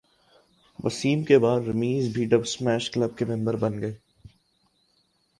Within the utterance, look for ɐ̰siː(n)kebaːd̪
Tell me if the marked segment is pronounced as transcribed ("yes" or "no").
no